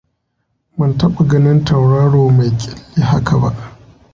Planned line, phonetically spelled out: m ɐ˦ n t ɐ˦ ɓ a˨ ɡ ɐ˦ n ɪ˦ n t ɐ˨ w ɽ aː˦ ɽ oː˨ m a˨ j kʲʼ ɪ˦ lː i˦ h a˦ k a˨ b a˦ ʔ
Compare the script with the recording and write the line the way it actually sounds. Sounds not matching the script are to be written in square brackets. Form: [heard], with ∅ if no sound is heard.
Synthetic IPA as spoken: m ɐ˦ n t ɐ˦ ɓ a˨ ɡ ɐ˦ n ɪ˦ n t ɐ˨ w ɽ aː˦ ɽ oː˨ m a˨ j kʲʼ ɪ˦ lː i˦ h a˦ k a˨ b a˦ ʔ

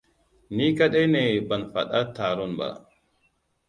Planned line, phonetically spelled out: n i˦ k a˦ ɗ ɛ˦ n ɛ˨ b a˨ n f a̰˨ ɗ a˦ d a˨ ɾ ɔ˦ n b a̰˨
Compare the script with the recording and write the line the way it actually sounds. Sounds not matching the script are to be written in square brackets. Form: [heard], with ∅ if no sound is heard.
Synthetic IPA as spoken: n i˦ k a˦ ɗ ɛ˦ n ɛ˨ b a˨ n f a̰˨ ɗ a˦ [t] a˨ ɾ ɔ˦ n b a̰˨

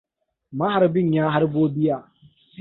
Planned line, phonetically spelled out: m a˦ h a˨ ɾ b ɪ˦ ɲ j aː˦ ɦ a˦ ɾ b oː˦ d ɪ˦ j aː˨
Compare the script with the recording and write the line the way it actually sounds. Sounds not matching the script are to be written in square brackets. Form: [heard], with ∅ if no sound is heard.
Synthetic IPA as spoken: m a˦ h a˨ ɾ b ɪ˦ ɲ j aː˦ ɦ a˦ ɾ b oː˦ [b] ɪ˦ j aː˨

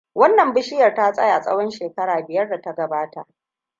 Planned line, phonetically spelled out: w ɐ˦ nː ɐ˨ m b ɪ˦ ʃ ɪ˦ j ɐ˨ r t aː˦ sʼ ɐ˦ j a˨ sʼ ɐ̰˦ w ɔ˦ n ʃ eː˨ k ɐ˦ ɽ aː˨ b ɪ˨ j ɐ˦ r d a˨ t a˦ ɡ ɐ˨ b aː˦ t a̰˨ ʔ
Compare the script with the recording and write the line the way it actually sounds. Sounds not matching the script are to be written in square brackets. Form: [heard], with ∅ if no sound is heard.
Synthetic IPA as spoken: w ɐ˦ nː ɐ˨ m b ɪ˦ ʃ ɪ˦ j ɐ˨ r t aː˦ sʼ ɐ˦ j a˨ sʼ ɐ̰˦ w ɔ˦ n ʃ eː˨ k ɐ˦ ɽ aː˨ b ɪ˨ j ɐ˦ r d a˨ t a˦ ɡ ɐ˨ b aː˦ t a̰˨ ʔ

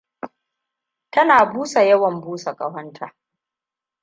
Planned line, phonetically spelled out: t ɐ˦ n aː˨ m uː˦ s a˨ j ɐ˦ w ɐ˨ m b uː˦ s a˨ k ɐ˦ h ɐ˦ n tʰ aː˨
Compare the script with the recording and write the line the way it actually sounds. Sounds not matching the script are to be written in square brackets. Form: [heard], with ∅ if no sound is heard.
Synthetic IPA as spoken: t ɐ˦ n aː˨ [b] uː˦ s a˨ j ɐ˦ w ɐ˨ m b uː˦ s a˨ [kʼ] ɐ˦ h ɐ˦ n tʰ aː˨

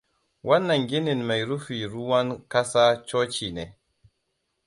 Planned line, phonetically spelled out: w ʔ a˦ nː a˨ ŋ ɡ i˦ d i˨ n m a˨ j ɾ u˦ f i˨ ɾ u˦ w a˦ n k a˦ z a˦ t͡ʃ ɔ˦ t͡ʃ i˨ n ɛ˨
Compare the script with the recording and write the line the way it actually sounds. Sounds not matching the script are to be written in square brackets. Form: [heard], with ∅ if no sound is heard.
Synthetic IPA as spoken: w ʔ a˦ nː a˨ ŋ ɡ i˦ [n] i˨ n m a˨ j ɾ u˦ f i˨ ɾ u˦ w a˦ n k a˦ [s] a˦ t͡ʃ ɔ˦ t͡ʃ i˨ n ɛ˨

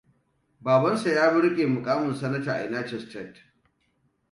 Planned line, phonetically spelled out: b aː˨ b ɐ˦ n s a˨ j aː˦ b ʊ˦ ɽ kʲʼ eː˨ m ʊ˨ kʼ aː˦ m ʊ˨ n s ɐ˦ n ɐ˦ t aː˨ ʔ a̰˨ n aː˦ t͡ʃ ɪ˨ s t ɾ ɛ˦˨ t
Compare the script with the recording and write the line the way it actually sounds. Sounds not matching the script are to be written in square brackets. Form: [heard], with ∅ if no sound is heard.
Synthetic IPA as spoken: b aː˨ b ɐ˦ n s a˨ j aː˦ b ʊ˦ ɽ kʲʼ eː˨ m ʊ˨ kʼ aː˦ m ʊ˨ n s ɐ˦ n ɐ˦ t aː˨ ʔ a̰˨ n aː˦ t͡ʃ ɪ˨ s t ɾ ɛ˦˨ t

